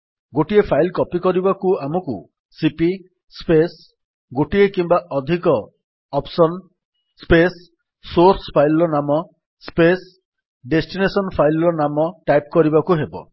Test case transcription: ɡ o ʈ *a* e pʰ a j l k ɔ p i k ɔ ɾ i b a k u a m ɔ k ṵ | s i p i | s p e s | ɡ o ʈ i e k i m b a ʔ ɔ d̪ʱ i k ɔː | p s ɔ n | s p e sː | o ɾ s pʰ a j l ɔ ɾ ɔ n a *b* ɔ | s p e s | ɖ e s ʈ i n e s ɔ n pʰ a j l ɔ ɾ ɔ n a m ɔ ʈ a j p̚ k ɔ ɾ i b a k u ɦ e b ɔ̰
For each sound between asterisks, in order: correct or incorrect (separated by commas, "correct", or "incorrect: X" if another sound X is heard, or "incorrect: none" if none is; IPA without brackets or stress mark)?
incorrect: i, incorrect: m